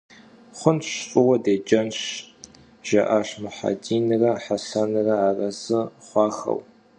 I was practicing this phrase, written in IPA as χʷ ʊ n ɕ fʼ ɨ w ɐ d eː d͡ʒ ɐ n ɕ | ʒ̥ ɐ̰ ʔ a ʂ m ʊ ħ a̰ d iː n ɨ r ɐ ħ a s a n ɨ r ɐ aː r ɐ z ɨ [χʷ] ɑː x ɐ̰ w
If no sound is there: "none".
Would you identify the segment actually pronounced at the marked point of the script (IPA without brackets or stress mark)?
χʷ